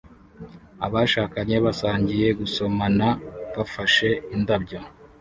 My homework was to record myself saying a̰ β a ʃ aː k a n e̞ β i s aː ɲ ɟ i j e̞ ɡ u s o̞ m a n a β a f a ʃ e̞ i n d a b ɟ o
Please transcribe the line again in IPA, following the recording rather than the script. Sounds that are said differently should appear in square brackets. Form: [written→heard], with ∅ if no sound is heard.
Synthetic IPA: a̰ β a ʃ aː k a [n→ɲ] e̞ β [i→a] s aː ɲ ɟ i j e̞ ɡ u s o̞ m a n a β a f a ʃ e̞ i n d a b ɟ o

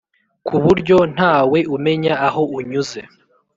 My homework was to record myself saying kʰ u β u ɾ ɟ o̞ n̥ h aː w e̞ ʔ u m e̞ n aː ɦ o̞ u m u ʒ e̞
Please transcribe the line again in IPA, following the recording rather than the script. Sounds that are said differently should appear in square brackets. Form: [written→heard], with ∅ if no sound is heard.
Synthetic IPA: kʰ u β u ɾ ɟ o̞ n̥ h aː w e̞ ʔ u m e̞ [n→ɲ] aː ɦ o̞ u [m→ɲ] u [ʒ→z] e̞

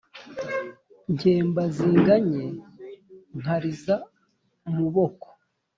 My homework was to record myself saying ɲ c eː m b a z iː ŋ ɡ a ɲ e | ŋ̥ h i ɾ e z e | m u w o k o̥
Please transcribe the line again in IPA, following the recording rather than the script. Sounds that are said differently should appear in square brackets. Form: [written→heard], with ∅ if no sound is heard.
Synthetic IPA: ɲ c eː m b a z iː ŋ ɡ a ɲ e | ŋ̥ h [i→a] ɾ [e→i] z [e→a] | m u [w→β] o k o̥

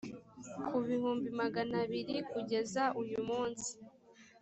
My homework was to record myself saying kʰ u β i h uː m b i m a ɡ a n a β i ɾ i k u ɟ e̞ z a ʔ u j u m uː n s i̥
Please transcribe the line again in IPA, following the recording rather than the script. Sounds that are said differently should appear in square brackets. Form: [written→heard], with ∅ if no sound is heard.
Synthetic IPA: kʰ u β i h uː m b i m a ɡ a n a β i ɾ i k u ɟ e̞ z a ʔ u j u m uː n s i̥

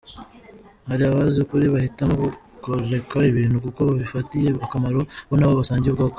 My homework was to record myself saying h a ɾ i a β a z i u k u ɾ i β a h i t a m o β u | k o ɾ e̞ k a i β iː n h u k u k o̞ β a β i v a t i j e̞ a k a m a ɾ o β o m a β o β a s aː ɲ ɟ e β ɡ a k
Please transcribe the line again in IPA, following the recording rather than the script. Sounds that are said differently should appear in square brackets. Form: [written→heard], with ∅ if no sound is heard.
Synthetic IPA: h a ɾ i a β a z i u k u ɾ i β a h i t a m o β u | k o ɾ e̞ k a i β iː n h u k u k o̞ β a β i [v→f] a t i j e̞ a k a m a ɾ o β o [m→n] a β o β a s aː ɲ ɟ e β ɡ a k

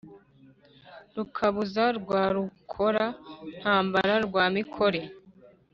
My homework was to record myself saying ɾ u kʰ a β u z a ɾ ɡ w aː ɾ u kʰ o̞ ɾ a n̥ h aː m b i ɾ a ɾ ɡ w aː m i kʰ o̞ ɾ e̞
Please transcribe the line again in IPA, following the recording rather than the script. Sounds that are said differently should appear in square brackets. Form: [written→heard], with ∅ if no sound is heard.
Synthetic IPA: ɾ u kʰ a β u z a ɾ ɡ w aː ɾ u kʰ o̞ ɾ a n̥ h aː m b [i→a] ɾ a ɾ ɡ w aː m i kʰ o̞ ɾ e̞

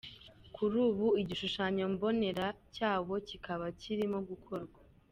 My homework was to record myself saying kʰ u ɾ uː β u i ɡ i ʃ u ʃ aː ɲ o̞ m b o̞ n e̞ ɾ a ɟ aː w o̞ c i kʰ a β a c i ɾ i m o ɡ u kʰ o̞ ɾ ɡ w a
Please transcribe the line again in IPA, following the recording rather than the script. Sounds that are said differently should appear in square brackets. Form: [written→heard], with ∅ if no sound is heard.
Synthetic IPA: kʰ u ɾ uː β u i [ɡ→ɟ] i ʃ u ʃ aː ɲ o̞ m b o̞ n e̞ ɾ a [ɟ→c] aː [w→β] o̞ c i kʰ a β a c i ɾ i m o ɡ u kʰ o̞ ɾ ɡ w a

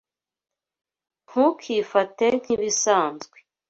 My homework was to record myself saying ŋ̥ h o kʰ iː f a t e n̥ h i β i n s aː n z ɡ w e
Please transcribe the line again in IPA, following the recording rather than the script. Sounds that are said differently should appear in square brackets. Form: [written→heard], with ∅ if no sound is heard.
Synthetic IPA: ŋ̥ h [o→u] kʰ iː f a t e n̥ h i β i [n→∅] s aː n z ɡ w e

